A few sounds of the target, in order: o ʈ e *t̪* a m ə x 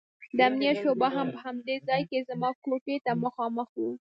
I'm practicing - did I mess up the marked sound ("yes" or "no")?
no